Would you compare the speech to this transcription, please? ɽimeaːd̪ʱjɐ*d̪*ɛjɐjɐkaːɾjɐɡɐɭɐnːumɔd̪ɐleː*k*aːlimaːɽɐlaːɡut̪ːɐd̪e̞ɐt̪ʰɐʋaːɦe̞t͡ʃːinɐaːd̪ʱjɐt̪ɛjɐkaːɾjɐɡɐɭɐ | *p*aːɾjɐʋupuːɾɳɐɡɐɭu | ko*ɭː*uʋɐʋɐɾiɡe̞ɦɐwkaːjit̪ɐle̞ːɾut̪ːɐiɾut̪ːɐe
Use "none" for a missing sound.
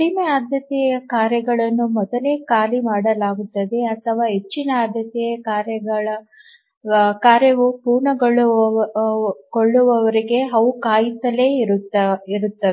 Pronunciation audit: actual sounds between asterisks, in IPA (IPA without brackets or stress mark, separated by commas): t̪, k, k, ɭː